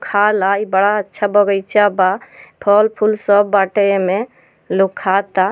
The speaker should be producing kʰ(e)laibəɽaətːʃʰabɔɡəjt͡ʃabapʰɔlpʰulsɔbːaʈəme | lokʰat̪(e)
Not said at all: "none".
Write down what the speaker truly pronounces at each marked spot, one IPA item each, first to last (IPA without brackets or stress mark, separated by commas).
a, a